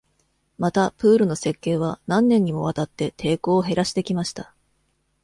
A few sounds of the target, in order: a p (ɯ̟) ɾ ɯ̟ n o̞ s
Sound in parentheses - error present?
yes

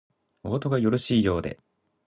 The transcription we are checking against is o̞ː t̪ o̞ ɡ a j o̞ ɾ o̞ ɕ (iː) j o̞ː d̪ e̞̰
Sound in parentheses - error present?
no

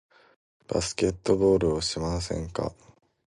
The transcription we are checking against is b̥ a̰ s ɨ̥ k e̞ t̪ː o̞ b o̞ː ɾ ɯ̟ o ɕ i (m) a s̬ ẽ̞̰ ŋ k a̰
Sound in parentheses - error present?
no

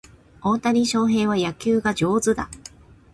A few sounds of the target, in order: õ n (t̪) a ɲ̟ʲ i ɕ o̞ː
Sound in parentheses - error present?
no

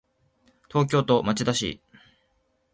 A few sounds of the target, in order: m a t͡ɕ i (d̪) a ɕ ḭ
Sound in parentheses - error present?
no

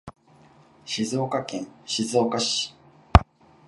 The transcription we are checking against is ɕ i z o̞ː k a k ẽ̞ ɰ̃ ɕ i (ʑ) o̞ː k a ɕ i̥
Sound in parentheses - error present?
yes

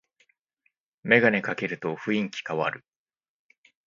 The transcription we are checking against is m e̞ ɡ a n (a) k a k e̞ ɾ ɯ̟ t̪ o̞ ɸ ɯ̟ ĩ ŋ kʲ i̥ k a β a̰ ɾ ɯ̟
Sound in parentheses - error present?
yes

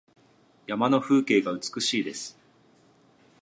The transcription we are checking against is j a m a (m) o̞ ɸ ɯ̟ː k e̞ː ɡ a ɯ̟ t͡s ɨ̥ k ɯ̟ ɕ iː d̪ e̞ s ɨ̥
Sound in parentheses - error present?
yes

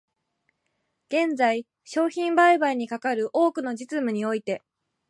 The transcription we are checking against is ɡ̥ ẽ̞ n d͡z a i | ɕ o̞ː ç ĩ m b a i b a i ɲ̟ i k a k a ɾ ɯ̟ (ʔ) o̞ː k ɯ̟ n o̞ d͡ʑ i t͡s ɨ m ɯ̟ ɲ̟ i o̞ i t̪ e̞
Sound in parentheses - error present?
no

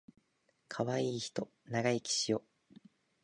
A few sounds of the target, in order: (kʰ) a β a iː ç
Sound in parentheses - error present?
no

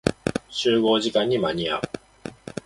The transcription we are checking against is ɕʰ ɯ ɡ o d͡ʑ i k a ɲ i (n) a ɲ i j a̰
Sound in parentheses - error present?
yes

